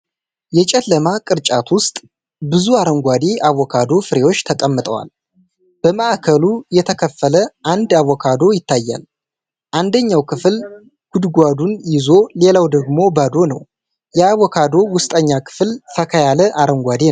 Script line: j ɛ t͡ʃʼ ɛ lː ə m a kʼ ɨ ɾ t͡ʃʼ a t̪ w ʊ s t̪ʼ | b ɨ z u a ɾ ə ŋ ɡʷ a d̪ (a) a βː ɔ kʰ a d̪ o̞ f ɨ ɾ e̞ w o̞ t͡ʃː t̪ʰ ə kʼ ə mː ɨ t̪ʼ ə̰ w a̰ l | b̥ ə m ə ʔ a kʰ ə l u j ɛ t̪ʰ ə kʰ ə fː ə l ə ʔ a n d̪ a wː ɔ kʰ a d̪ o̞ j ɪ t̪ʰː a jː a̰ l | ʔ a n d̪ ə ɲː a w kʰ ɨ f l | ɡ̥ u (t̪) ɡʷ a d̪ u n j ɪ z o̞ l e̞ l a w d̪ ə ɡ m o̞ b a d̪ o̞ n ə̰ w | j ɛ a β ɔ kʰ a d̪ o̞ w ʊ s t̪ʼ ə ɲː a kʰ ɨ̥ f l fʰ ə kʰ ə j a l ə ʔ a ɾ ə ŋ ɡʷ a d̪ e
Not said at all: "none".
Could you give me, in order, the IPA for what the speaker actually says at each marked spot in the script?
e, d̪

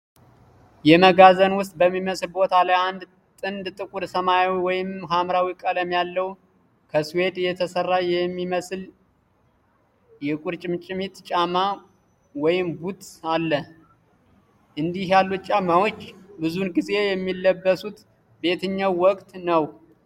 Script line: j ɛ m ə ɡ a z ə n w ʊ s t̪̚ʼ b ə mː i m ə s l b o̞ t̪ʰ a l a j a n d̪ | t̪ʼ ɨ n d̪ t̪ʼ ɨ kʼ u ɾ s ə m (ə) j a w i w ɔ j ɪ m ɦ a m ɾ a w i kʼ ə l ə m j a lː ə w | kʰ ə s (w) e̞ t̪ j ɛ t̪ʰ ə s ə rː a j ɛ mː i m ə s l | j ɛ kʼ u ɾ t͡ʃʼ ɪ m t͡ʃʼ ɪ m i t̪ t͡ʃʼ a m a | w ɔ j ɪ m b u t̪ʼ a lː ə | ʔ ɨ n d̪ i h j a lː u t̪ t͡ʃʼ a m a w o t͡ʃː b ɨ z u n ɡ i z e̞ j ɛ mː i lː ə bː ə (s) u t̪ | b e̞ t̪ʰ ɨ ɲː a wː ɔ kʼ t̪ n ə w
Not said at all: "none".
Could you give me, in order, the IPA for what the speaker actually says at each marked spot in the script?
a, w, s

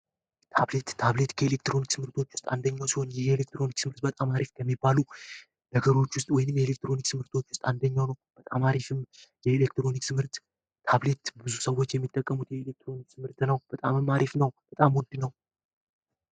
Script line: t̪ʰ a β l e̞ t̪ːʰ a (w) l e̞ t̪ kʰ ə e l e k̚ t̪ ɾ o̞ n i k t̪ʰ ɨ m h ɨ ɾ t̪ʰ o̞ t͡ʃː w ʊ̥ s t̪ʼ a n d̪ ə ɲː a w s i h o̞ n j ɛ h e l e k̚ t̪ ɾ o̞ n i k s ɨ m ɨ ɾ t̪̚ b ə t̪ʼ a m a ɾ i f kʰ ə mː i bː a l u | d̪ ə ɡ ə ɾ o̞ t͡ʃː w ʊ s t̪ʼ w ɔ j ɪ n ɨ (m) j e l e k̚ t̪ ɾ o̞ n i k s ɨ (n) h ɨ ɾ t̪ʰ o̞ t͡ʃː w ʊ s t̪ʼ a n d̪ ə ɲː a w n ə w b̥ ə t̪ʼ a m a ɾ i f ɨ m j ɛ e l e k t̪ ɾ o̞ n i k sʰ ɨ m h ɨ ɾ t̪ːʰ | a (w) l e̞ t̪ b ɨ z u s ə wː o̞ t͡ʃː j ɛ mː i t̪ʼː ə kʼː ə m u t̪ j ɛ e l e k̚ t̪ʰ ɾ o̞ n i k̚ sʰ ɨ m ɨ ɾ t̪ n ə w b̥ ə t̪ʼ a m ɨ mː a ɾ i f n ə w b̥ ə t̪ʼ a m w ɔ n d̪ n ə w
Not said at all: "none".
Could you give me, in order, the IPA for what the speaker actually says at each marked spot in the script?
β, m, m, β

